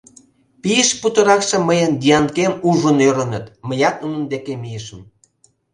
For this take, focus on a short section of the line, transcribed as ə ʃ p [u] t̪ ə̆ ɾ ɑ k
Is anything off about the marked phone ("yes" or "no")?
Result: no